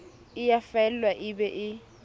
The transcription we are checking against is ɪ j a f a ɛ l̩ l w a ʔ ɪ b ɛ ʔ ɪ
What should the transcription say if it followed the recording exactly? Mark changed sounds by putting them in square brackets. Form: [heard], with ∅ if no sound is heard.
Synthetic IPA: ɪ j a f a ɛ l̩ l w a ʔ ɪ b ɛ ʔ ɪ